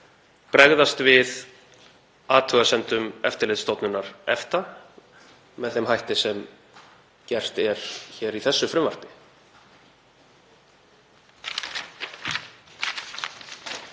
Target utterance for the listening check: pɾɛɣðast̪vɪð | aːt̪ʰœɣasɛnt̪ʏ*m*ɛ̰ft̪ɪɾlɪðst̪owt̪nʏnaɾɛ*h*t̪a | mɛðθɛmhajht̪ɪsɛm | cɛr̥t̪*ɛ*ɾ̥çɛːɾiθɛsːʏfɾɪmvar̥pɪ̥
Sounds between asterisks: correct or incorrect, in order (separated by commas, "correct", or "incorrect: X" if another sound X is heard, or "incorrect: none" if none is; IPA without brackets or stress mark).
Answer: correct, incorrect: f, correct